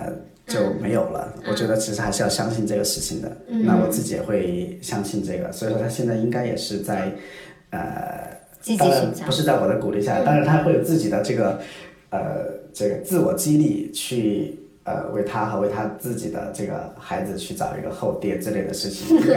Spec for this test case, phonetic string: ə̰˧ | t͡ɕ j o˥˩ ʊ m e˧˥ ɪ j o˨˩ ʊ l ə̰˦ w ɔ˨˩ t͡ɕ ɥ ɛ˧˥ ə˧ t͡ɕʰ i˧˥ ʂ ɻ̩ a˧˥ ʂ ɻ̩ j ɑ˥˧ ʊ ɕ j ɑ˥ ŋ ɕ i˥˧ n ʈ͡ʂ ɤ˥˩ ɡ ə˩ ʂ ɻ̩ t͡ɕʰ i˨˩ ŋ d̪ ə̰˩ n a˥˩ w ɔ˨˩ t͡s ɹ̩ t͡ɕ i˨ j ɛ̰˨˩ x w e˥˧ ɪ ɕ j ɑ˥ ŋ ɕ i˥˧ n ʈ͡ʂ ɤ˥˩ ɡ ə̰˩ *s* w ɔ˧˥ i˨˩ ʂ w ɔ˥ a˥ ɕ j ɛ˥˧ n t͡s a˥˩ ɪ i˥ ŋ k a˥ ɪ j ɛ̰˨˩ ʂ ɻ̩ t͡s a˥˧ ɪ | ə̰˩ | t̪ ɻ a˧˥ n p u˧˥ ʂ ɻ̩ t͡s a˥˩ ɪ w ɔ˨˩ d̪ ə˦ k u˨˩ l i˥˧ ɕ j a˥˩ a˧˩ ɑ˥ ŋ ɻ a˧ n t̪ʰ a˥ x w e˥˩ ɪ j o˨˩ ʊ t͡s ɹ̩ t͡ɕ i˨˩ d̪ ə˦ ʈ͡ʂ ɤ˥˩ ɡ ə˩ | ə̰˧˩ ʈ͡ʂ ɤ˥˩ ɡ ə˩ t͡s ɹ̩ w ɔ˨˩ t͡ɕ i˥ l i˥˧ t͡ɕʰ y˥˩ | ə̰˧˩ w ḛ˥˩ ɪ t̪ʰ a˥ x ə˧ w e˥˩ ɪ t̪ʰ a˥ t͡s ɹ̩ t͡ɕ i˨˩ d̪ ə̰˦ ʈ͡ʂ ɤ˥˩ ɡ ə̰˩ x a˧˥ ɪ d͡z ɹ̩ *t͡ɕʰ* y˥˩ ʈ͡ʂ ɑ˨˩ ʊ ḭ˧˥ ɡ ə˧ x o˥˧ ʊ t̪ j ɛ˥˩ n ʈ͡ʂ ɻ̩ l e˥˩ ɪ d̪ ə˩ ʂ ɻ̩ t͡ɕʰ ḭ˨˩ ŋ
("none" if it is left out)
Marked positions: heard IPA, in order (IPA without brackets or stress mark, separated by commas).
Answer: s, t͡ɕʰ